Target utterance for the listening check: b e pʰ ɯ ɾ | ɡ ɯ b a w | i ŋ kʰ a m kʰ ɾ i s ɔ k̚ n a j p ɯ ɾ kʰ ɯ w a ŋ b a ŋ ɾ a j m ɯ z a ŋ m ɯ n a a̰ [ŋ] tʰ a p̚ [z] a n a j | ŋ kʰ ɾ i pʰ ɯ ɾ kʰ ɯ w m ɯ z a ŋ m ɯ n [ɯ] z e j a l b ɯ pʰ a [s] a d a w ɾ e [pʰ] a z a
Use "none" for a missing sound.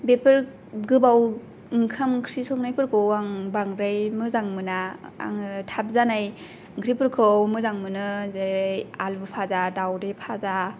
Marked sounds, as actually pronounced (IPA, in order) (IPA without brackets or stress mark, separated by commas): ŋ, z, ɯ, z, pʰ